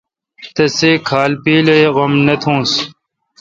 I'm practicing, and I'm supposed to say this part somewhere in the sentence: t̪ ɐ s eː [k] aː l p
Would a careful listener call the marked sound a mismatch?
yes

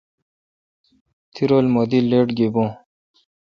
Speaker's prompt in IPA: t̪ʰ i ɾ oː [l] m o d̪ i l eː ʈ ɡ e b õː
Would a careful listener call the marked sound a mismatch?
no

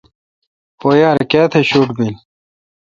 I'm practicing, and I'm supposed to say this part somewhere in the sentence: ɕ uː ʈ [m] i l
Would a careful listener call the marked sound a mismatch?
yes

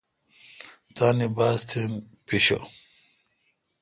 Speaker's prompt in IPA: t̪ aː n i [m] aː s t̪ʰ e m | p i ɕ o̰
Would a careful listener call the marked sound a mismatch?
yes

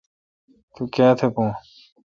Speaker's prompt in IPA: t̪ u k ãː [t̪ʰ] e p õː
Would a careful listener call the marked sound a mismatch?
no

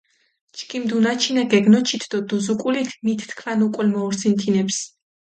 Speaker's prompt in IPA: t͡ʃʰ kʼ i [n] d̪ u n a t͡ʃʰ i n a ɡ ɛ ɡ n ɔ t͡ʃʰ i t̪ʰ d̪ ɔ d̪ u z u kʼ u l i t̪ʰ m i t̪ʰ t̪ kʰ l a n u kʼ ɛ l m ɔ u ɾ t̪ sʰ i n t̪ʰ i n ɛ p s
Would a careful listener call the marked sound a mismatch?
yes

